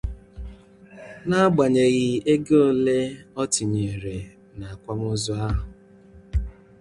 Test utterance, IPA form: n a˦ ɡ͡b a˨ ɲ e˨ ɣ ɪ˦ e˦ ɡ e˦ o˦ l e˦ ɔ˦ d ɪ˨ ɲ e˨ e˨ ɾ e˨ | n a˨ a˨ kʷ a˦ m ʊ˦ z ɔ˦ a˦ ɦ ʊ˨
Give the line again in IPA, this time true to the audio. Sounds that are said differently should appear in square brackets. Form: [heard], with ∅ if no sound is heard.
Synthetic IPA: n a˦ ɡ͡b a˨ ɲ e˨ ɣ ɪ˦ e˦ ɡ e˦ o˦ l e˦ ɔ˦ [t] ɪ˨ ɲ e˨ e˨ ɾ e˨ | n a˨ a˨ kʷ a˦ m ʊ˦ z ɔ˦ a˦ ɦ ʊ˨